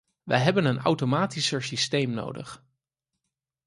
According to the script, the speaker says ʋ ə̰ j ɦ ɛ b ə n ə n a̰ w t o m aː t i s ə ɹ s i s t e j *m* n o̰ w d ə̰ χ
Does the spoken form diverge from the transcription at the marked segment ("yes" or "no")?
no